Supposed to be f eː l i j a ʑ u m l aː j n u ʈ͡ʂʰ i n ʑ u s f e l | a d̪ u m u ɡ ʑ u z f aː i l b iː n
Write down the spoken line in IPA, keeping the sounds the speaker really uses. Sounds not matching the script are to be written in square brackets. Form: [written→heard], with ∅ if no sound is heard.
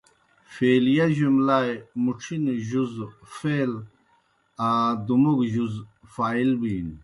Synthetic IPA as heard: f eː l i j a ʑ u m l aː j [n→m] u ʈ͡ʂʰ i n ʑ u [s→z] f e l | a d̪ u m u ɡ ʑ u z f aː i l b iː n

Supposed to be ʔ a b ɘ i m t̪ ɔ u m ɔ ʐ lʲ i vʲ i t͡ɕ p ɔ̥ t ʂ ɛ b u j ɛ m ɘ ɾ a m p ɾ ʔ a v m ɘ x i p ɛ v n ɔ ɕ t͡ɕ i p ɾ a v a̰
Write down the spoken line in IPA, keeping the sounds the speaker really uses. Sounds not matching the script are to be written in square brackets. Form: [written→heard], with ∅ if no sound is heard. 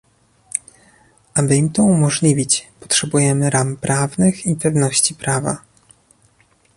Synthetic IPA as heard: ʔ a b ɘ i m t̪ ɔ u m ɔ ʐ lʲ i vʲ i t͡ɕ p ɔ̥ t ʂ ɛ b u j ɛ m ɘ ɾ a m p ɾ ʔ a v [m→n] ɘ x i p ɛ v n ɔ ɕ t͡ɕ i p ɾ a v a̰

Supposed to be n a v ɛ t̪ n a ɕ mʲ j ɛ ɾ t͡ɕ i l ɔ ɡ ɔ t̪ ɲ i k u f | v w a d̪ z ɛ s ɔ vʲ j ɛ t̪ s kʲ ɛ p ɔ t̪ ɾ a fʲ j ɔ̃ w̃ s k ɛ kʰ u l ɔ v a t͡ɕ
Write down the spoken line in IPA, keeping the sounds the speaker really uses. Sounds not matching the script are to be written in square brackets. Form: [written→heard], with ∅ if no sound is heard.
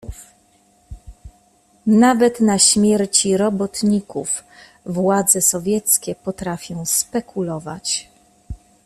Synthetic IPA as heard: n a v ɛ t̪ n a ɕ mʲ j ɛ ɾ t͡ɕ i [l→ɾ] ɔ [ɡ→b] ɔ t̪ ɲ i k u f | v w a d̪ z ɛ s ɔ vʲ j ɛ t̪ s kʲ ɛ p ɔ t̪ ɾ a fʲ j ɔ̃ w̃ s [k→p] ɛ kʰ u l ɔ v a t͡ɕ

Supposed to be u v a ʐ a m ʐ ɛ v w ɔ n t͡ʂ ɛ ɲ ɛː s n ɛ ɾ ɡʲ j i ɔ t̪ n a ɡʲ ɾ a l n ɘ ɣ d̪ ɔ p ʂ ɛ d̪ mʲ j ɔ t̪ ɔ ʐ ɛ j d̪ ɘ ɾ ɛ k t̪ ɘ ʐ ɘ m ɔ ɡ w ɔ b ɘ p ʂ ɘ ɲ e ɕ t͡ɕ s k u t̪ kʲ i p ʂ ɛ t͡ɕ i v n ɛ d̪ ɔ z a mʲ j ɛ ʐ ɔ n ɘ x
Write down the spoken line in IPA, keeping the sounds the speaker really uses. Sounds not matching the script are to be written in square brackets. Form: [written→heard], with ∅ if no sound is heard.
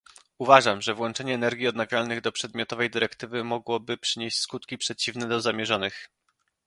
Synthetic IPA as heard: u v a ʐ a m ʐ ɛ v w ɔ n t͡ʂ ɛ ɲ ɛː [s→∅] n ɛ ɾ ɡʲ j i ɔ [t̪→d̪] n a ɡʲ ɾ a l n ɘ ɣ d̪ ɔ p ʂ ɛ d̪ mʲ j ɔ t̪ ɔ [ʐ→v] ɛ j d̪ ɘ ɾ ɛ k t̪ ɘ [ʐ→v] ɘ m ɔ ɡ w ɔ b ɘ p ʂ ɘ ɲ e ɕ t͡ɕ s k u t̪ kʲ i p ʂ ɛ t͡ɕ i v n ɛ d̪ ɔ z a mʲ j ɛ ʐ ɔ n ɘ x

